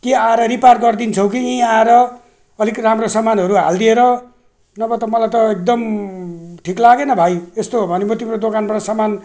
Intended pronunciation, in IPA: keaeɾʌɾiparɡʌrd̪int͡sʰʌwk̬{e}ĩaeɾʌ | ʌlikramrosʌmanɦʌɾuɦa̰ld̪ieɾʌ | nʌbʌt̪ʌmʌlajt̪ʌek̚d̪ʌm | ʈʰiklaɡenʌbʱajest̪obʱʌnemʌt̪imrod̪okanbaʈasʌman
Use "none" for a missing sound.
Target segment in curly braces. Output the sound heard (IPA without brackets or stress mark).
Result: i